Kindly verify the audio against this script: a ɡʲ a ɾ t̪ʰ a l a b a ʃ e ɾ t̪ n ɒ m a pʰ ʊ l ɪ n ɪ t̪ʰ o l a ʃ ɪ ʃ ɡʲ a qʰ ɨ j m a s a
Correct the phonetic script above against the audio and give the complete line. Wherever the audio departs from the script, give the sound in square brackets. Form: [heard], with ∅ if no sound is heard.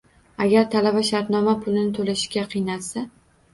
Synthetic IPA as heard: a ɡʲ a ɾ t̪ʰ a l a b a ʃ [a] ɾ t̪ n ɒ m a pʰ ʊ l ɪ n ɪ t̪ʰ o l a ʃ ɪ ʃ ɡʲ a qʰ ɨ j [n] a s a